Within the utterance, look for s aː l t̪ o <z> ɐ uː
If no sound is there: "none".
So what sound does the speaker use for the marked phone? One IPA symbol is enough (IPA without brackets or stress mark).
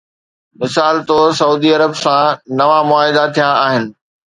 s